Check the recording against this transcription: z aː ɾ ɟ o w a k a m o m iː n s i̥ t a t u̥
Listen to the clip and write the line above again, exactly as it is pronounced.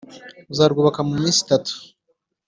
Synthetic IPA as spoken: z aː ɾ ɡ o β a k a m u m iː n s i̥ t a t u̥